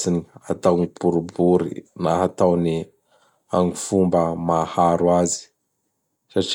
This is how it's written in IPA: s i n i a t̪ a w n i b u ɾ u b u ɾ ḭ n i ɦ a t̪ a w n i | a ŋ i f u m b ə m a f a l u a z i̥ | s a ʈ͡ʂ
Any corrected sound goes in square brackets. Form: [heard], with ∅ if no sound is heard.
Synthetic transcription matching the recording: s i n i a t̪ a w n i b u ɾ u b u ɾ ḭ n [a] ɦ a t̪ a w n i | a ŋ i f u m b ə m a [h] a [ɾ] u a z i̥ | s a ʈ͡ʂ